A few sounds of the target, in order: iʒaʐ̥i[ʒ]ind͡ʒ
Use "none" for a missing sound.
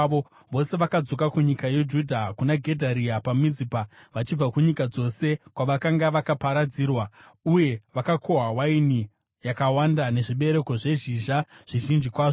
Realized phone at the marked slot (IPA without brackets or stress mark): ʒ